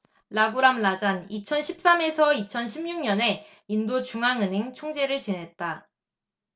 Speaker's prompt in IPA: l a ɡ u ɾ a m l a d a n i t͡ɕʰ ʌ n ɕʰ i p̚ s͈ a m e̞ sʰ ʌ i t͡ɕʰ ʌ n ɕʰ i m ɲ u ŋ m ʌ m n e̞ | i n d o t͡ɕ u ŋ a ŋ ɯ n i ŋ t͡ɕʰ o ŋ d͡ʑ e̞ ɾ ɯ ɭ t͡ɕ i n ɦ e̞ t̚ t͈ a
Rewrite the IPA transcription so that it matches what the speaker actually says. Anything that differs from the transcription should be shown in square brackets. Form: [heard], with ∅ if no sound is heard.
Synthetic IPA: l a ɡ u ɾ a m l a [d͡ʑ] a n i t͡ɕʰ ʌ n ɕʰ i p̚ s͈ a m e̞ sʰ ʌ i t͡ɕʰ ʌ n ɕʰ i m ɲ u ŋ [ɲ] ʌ [∅] n e̞ | i n d o t͡ɕ u ŋ a ŋ ɯ n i ŋ t͡ɕʰ o ŋ d͡ʑ e̞ ɾ ɯ ɭ t͡ɕ i n ɦ e̞ t̚ t͈ a